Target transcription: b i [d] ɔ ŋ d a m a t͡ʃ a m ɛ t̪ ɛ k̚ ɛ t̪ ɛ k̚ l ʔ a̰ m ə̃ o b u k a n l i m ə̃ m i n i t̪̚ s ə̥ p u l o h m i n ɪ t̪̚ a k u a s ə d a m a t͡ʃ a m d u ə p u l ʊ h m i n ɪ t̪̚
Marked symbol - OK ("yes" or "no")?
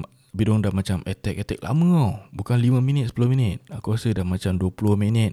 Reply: yes